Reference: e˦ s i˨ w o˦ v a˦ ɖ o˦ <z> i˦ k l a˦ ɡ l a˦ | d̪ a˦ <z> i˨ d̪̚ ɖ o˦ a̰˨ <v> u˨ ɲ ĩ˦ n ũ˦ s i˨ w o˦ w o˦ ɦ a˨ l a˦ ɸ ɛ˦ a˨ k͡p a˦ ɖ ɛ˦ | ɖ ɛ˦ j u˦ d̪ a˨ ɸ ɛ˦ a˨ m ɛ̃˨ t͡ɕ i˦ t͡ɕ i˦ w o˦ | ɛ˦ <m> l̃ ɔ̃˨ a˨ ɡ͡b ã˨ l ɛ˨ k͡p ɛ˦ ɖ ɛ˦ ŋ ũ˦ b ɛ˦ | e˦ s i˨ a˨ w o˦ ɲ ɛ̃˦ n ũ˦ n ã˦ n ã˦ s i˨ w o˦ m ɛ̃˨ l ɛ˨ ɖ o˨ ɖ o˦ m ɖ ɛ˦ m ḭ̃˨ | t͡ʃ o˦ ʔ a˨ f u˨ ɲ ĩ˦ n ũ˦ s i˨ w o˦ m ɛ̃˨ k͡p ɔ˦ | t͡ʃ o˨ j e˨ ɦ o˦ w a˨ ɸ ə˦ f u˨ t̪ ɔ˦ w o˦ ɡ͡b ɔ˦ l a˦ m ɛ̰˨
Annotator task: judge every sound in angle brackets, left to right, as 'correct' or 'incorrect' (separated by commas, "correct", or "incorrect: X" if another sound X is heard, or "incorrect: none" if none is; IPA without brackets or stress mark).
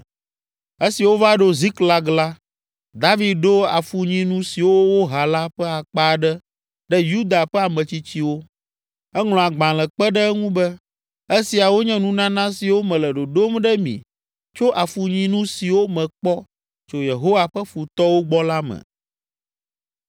correct, incorrect: v, incorrect: f, incorrect: ŋ